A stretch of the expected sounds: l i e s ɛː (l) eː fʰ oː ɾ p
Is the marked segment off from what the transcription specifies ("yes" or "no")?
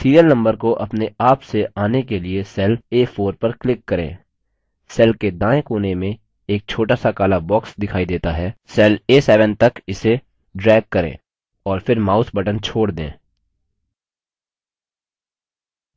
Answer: no